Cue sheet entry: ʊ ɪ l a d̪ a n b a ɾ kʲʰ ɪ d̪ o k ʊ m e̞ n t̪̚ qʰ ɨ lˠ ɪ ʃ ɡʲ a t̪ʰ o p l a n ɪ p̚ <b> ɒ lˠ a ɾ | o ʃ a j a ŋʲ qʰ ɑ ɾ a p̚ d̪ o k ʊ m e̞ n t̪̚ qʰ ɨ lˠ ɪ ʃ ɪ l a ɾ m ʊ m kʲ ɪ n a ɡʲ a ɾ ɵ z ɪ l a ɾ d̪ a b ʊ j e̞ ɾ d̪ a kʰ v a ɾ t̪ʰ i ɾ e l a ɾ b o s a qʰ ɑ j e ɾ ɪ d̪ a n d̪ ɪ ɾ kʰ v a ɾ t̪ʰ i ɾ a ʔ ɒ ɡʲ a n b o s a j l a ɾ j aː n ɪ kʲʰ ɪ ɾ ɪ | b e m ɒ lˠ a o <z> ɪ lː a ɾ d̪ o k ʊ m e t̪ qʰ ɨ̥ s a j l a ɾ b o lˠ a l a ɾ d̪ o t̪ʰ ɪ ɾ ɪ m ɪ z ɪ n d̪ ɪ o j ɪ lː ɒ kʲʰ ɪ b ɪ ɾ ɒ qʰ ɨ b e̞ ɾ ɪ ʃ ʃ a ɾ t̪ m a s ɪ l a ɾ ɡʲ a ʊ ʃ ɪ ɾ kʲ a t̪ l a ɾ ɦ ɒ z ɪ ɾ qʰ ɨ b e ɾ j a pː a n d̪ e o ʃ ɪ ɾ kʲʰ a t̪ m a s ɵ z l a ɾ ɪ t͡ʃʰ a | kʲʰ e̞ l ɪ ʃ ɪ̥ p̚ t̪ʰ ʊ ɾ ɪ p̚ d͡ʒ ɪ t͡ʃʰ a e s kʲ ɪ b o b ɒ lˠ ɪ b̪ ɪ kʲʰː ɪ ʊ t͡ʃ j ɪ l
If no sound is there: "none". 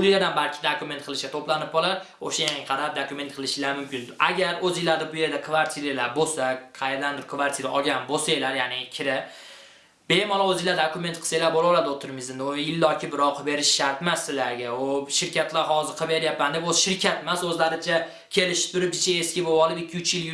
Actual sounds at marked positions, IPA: b, z

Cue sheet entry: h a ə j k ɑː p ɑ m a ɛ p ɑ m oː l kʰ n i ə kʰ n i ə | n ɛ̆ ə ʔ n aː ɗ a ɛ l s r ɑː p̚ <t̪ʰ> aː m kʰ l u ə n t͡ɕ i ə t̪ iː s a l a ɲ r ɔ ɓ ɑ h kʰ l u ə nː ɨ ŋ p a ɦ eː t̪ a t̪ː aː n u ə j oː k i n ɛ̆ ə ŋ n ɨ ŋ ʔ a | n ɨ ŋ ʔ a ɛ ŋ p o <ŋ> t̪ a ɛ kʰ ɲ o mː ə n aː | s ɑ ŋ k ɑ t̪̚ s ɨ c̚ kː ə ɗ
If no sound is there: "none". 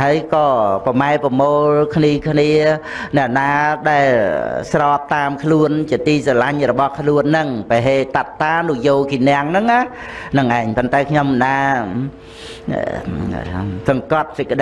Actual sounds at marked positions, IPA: t̪, n

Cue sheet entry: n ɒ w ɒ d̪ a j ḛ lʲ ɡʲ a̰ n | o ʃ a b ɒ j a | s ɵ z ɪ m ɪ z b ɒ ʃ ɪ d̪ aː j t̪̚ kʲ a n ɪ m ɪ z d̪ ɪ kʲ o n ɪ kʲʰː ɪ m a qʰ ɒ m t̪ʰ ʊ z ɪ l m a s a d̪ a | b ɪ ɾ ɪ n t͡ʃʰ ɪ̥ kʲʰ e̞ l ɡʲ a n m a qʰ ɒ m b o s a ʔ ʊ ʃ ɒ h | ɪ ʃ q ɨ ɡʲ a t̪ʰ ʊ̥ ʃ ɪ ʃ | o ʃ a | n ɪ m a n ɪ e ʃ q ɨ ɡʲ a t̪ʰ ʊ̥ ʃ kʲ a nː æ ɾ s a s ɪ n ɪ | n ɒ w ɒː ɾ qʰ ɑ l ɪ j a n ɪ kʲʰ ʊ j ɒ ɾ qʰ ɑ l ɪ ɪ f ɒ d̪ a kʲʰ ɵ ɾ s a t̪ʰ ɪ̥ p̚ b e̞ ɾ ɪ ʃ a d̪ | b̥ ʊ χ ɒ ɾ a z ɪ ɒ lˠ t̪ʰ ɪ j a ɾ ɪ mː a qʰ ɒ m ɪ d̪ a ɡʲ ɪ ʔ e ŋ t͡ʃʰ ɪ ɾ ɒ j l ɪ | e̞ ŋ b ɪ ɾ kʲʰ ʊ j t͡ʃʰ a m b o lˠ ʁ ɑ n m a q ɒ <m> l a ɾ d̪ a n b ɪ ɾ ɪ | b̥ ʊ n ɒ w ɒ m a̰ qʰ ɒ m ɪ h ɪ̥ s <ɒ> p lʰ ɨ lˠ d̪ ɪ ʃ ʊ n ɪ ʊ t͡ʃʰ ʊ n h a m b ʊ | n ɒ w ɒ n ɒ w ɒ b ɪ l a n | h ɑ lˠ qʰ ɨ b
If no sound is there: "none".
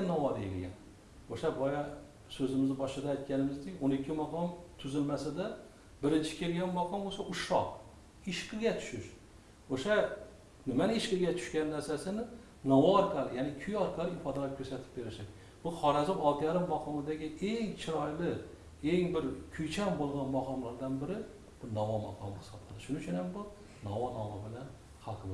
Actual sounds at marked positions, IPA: m, ɒ

